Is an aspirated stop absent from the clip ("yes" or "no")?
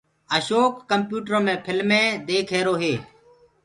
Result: no